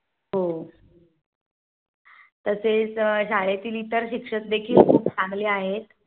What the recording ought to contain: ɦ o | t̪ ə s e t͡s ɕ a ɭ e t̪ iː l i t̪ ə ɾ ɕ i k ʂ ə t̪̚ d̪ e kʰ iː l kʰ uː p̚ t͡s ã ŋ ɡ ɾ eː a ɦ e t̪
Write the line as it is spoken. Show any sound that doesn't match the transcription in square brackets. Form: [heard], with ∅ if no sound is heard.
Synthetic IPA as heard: ɦ o | t̪ ə s e t͡s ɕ a ɭ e t̪ iː l i t̪ ə ɾ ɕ i k ʂ ə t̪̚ d̪ e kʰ iː l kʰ uː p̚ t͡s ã ŋ ɡ [l] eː a ɦ e t̪